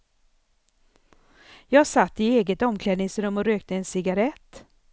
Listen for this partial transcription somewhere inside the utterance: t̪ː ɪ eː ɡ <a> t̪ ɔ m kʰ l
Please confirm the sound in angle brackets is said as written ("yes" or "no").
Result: no